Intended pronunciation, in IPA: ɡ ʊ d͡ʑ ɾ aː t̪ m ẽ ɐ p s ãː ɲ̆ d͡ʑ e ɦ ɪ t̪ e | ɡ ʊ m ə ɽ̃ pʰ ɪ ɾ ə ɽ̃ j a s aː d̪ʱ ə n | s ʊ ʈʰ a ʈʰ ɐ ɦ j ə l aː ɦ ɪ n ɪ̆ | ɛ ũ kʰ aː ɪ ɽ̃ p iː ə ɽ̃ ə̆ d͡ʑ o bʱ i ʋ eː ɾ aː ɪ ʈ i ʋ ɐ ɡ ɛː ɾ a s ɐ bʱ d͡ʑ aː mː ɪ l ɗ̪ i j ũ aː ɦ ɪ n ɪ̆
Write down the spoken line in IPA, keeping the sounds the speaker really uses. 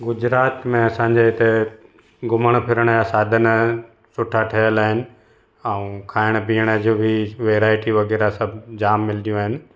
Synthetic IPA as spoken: ɡ ʊ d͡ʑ ɾ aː t̪ m ẽ ɐ s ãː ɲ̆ d͡ʑ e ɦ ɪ t̪ e | ɡ ʊ m ə ɽ̃ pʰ ɪ ɾ ə ɽ̃ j a s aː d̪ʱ ə n | s ʊ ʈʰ a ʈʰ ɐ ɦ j ə l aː ɦ ɪ n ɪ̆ | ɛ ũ kʰ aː ɪ ɽ̃ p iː ə ɽ̃ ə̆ d͡ʑ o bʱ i ʋ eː ɾ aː ɪ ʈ i ʋ ɐ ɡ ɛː ɾ a s ɐ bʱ d͡ʑ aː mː ɪ l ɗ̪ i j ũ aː ɦ ɪ n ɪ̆